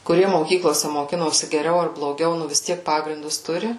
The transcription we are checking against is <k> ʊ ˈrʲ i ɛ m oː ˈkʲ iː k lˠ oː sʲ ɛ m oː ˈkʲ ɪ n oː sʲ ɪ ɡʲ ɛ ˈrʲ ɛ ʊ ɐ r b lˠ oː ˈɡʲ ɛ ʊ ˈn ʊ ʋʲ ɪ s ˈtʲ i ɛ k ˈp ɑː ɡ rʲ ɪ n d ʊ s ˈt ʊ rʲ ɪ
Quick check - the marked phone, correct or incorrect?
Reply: correct